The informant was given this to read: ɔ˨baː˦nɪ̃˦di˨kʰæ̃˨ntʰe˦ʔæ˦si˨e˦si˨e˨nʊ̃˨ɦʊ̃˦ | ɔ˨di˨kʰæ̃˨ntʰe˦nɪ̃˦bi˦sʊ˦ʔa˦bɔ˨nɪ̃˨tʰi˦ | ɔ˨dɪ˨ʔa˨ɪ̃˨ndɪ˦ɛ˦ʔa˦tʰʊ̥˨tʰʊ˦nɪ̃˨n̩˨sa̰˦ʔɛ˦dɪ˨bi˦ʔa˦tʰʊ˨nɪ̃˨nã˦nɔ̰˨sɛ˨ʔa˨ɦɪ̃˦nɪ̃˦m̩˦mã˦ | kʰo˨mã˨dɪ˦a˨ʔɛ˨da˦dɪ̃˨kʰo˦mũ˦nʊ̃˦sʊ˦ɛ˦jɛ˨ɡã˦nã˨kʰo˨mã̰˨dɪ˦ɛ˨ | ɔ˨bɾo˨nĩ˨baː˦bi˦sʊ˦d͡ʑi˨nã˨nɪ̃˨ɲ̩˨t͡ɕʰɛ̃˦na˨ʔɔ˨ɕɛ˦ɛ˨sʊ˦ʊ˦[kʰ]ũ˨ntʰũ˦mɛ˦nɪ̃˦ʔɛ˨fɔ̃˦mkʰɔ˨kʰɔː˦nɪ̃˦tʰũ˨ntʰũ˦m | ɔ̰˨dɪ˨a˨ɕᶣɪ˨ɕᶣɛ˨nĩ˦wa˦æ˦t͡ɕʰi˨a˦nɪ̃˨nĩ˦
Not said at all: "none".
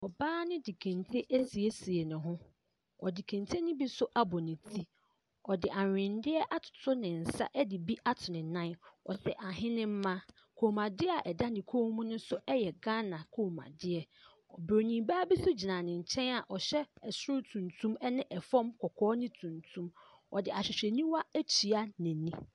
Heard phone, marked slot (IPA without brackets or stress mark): tʰ